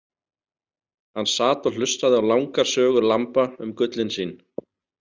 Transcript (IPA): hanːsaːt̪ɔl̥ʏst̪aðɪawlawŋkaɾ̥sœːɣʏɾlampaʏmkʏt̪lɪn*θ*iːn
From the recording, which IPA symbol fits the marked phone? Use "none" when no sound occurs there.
s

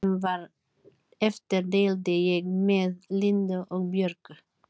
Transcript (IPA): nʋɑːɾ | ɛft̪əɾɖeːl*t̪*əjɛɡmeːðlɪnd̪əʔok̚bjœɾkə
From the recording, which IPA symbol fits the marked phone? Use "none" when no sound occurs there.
d̪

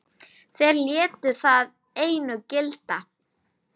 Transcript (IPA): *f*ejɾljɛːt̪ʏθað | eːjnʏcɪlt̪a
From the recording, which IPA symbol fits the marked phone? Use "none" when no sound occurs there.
θ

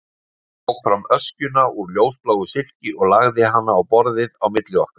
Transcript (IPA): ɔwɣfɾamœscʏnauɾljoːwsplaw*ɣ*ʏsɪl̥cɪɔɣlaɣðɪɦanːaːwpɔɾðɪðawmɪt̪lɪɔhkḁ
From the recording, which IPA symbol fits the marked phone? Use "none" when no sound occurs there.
ɣ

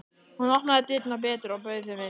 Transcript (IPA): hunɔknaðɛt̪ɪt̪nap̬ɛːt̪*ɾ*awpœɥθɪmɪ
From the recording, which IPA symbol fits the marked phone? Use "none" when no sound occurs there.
ɾ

